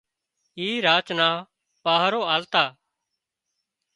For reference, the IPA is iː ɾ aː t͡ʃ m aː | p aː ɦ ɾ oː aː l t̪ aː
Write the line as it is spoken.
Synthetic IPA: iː ɾ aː t͡ʃ n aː | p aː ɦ ɾ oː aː l t̪ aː